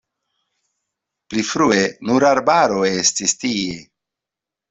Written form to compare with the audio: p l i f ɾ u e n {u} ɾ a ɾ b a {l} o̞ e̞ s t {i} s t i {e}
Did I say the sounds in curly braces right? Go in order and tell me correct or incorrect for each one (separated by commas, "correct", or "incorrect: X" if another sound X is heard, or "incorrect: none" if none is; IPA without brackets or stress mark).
correct, incorrect: ɾ, correct, correct